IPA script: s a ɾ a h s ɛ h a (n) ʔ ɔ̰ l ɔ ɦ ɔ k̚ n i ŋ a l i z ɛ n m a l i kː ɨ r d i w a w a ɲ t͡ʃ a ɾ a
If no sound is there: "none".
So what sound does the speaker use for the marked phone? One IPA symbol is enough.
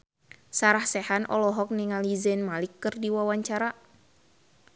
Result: n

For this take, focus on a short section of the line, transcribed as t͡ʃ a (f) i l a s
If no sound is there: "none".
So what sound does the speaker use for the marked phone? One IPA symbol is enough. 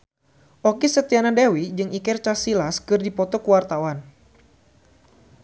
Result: s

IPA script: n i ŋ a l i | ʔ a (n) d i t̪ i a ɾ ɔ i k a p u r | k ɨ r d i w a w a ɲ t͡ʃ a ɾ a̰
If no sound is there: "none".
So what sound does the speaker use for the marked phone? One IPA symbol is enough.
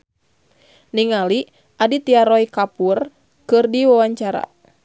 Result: none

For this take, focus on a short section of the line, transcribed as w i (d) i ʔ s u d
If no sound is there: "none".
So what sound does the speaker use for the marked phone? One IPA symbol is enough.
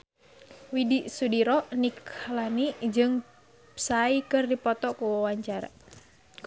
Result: d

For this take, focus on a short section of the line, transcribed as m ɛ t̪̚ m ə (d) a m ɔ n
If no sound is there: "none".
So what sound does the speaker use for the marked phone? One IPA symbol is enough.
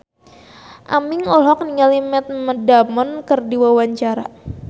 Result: d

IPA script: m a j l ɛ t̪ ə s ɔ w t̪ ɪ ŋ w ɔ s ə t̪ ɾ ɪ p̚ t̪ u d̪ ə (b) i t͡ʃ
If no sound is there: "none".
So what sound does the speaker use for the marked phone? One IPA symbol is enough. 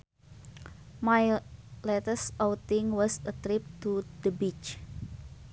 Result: b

